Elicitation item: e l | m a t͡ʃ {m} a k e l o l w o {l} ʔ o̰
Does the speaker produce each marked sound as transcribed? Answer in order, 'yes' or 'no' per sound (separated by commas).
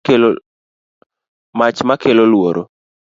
yes, no